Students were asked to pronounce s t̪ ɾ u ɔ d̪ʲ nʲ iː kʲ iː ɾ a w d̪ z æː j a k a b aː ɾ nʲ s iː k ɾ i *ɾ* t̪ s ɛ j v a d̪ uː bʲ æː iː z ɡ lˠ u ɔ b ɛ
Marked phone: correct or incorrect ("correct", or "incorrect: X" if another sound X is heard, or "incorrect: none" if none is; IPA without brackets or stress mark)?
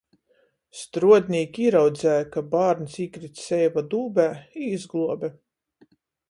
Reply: incorrect: none